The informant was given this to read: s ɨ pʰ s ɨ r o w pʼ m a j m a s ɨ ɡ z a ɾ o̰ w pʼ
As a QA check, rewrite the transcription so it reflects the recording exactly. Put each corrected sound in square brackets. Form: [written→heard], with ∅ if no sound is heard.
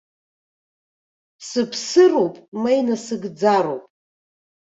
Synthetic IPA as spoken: s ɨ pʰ s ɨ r o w pʼ m a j [m→n] a s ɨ ɡ [z→d͡z] a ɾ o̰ w pʼ